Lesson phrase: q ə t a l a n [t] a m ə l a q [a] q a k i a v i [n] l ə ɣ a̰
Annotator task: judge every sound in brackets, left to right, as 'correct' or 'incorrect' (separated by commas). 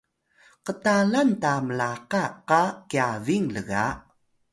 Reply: correct, correct, incorrect